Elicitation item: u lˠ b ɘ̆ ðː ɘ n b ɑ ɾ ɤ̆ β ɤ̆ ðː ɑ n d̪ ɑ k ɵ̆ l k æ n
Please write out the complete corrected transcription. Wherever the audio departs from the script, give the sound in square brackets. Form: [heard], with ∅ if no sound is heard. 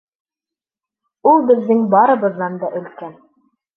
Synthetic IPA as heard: u lˠ b ɘ̆ ðː ɘ [ŋ] b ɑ ɾ ɤ̆ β ɤ̆ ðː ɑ n d̪ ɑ [ʔ] ɵ̆ l k æ n